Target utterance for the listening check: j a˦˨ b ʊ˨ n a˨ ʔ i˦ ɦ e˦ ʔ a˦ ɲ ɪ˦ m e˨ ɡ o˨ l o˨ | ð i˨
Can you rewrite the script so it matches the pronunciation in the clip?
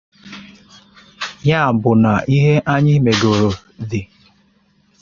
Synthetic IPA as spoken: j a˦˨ b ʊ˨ n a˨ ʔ i˦ ɦ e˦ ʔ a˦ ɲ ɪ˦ m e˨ ɡ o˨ ɾ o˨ | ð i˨